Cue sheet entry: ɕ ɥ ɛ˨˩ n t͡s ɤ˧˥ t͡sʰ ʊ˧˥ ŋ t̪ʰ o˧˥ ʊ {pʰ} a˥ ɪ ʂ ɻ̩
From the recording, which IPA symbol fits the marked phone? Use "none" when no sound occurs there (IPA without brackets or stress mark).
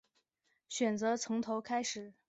kʰ